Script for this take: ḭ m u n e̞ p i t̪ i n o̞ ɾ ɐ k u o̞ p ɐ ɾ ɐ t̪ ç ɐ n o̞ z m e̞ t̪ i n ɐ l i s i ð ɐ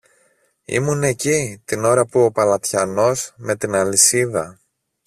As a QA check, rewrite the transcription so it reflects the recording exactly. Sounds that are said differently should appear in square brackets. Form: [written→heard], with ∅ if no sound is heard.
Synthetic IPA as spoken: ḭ m u n e̞ [p→c] i t̪ i n o̞ ɾ ɐ [k→p] u o̞ p ɐ [ɾ→l] ɐ t̪ ç ɐ n o̞ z m e̞ t̪ i n ɐ l i s i ð ɐ